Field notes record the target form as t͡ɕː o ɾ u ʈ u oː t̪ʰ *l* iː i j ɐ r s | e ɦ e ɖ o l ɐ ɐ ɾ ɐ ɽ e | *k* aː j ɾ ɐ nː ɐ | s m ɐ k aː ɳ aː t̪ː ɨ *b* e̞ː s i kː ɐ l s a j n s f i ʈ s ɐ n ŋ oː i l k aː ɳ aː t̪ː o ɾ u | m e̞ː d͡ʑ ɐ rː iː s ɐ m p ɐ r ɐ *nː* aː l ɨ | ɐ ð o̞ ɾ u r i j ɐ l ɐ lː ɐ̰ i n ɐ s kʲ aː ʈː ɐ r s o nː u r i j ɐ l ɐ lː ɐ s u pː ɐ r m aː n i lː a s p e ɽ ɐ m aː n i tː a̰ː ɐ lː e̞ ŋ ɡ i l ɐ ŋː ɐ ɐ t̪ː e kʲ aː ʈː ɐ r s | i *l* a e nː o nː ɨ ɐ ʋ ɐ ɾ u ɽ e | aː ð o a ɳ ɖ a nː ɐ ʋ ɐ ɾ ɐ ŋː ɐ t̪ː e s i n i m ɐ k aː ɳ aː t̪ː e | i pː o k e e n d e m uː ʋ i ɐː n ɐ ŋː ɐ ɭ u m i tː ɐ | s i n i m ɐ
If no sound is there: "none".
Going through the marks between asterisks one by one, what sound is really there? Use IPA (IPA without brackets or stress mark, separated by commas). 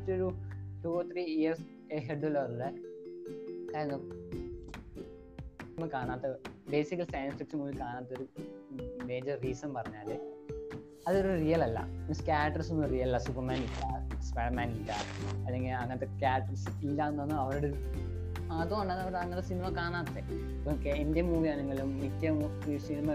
r, k, b, ɲː, lː